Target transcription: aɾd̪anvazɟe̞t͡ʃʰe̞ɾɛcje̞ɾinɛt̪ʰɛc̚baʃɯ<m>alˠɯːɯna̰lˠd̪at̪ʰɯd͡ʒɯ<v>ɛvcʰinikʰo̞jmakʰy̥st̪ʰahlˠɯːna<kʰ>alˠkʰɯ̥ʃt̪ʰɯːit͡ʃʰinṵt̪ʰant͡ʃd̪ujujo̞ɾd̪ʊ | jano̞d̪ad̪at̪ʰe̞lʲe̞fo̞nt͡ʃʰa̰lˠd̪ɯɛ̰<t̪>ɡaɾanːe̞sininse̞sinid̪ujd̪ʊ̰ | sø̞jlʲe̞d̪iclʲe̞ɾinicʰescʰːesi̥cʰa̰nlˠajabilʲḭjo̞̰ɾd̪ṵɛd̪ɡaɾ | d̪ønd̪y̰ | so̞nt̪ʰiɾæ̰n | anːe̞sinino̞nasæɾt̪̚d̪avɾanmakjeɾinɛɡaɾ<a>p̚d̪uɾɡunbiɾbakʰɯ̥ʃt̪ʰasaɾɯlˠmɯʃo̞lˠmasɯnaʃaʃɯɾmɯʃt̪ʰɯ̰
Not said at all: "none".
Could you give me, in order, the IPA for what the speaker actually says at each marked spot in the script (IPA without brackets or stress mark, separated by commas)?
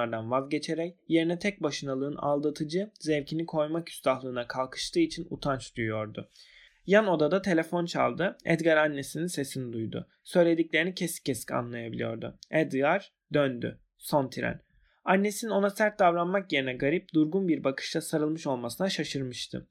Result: n, z, kʰ, d̪, i